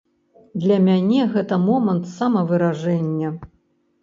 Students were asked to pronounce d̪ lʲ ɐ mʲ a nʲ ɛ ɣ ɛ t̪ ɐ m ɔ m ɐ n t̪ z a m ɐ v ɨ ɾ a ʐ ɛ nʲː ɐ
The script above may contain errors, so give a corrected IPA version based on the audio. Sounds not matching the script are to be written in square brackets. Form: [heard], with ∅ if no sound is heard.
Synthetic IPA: d̪ lʲ ɐ mʲ a nʲ ɛ ɣ ɛ t̪ ɐ m ɔ m ɐ n t̪ [s] a m ɐ v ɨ ɾ a ʐ ɛ nʲː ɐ